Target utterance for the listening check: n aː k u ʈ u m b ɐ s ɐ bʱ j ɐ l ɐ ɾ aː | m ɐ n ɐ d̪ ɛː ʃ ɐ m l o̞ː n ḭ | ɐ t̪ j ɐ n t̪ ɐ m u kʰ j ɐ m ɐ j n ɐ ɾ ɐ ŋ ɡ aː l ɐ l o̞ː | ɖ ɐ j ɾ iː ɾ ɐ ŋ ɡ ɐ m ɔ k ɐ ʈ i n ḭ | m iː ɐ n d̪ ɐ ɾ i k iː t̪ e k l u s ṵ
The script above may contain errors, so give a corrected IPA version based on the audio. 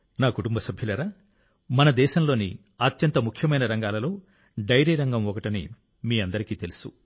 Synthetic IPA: n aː k u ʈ u m b ɐ s ɐ bʱ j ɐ l ɐ ɾ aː | m ɐ n ɐ d̪ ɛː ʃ ɐ m l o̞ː n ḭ | ɐ t̪ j ɐ n t̪ ɐ m u kʰ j ɐ m ɐ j n ɐ ɾ ɐ ŋ ɡ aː l ɐ l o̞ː | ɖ ɐ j ɾ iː ɾ ɐ ŋ ɡ ɐ m ɔ k ɐ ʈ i n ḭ | m iː ɐ n d̪ ɐ ɾ i k iː t̪ e l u s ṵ